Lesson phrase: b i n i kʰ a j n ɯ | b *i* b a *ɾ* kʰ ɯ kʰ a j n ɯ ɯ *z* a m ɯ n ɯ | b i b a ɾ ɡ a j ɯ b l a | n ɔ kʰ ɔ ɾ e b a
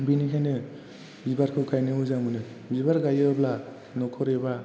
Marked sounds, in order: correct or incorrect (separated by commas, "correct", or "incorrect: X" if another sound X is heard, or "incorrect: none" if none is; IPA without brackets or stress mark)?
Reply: correct, correct, correct